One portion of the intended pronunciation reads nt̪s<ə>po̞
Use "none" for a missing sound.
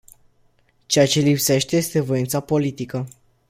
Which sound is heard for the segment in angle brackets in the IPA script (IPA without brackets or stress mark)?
a